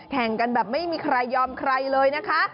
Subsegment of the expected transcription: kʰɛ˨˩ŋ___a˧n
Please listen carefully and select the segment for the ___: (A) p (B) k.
B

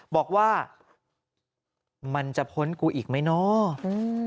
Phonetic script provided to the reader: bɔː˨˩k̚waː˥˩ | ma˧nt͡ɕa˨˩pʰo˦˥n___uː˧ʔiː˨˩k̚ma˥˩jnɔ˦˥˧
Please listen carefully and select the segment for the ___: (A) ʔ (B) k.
B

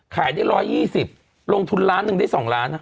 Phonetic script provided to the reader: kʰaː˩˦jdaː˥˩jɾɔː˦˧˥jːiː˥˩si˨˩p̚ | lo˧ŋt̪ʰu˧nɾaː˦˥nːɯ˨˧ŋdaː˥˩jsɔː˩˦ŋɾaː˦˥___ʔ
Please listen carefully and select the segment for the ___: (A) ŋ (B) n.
B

